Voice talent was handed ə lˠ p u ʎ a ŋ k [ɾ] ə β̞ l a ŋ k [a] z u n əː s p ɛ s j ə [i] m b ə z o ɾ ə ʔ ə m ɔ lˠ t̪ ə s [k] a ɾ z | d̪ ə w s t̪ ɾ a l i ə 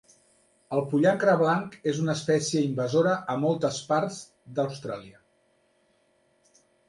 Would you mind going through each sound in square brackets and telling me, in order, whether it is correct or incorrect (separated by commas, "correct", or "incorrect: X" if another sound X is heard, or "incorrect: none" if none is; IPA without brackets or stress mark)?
correct, incorrect: e, correct, incorrect: p